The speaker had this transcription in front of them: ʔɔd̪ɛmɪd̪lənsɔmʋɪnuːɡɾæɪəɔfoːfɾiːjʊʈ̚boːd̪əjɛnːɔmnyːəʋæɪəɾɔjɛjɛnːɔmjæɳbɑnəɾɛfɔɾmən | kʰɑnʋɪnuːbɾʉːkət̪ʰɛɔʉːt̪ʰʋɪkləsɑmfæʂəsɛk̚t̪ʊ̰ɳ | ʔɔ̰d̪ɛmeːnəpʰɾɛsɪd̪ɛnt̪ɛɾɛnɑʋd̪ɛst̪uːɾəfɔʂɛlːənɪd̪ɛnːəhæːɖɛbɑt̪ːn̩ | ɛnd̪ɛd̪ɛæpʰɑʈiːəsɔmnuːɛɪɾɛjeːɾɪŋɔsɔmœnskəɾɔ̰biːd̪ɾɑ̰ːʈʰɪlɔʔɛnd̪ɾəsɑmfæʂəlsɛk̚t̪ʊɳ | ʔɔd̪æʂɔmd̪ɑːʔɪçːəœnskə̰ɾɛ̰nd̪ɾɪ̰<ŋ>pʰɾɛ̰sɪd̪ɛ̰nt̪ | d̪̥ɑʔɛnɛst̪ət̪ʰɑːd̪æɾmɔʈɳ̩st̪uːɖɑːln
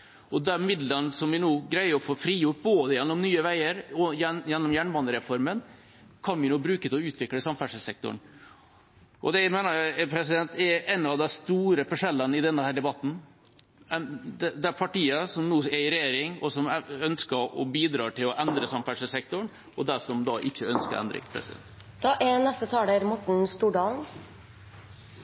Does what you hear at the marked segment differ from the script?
no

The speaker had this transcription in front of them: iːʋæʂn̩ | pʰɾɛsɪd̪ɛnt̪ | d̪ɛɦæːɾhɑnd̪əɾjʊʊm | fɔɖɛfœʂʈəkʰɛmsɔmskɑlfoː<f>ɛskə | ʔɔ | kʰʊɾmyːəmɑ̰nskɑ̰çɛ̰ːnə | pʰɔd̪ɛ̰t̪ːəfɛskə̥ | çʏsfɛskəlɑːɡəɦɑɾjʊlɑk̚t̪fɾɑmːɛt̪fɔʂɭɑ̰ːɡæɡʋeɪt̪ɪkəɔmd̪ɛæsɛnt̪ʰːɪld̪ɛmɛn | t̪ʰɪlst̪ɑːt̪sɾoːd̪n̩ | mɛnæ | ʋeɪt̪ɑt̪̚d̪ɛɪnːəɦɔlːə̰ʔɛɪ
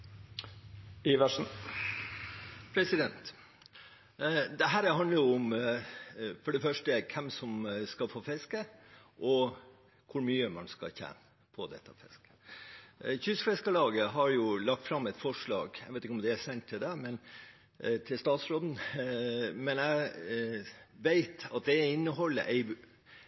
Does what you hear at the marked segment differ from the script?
no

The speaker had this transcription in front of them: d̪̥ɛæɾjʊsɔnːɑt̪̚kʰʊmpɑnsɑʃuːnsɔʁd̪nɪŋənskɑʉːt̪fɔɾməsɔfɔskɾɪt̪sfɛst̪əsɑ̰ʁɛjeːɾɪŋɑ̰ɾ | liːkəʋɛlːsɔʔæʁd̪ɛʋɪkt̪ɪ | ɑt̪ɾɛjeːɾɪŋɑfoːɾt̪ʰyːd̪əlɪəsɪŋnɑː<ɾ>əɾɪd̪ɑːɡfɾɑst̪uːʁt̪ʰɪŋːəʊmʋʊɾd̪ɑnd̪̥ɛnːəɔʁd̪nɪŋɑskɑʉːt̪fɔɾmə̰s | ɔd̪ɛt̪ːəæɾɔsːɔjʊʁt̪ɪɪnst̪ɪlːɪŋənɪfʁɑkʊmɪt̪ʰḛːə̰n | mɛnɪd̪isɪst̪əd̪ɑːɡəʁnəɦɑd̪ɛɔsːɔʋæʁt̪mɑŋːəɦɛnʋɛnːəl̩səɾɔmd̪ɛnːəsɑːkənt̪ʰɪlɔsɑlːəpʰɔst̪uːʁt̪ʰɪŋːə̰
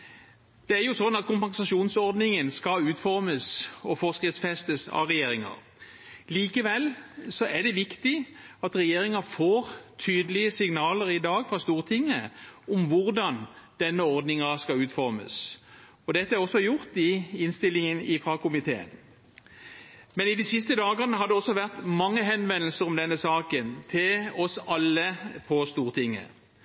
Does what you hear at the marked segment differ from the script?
yes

